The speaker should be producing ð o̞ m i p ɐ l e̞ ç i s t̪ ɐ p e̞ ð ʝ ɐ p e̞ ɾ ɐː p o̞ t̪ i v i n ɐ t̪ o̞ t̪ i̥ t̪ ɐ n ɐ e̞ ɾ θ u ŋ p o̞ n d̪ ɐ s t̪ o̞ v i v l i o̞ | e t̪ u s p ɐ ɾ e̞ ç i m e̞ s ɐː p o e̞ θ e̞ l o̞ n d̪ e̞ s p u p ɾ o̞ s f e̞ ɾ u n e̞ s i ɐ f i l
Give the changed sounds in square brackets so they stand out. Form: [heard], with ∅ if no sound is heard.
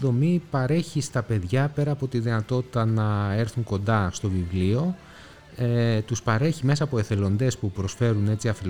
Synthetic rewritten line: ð o̞ m i p ɐ [ɾ] e̞ ç i s t̪ ɐ p e̞ ð ʝ ɐ p e̞ ɾ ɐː p o̞ t̪ i [ð] i n ɐ t̪ o̞ t̪ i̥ t̪ ɐ n ɐ e̞ ɾ θ u ŋ [k] o̞ n d̪ ɐ s t̪ o̞ v i v l i o̞ | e t̪ u s p ɐ ɾ e̞ ç i m e̞ s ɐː p o e̞ θ e̞ l o̞ n d̪ e̞ s p u p ɾ o̞ s f e̞ ɾ u n e̞ [t͡s] i ɐ f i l